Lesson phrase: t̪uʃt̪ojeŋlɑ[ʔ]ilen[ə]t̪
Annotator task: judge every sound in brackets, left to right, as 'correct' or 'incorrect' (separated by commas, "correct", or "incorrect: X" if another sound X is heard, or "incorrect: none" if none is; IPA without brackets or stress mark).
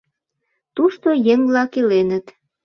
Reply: incorrect: k, correct